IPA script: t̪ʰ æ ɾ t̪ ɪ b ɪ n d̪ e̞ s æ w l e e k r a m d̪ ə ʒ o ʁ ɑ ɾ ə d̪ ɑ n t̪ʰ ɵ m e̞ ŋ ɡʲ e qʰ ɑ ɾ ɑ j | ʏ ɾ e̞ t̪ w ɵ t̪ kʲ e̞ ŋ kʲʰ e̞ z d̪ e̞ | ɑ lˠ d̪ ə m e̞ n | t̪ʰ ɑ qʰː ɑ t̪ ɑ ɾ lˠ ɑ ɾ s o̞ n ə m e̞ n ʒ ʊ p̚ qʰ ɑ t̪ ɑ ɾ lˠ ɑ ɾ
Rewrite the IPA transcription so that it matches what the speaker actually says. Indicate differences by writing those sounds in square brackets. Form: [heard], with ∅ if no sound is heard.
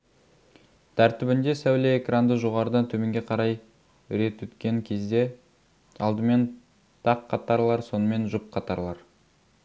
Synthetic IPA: t̪ʰ æ ɾ t̪ ɪ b ɪ n d̪ e̞ s æ w l e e k r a [n] d̪ ə ʒ o ʁ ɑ ɾ ə d̪ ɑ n t̪ʰ ɵ m e̞ ŋ ɡʲ e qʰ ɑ ɾ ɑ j | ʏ ɾ e̞ t̪ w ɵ t̪ kʲ e̞ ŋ kʲʰ e̞ z d̪ e̞ | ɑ lˠ d̪ ə m e̞ n | t̪ʰ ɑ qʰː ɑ t̪ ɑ ɾ lˠ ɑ ɾ s o̞ n ə m e̞ n ʒ ʊ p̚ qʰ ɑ t̪ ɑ ɾ lˠ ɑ ɾ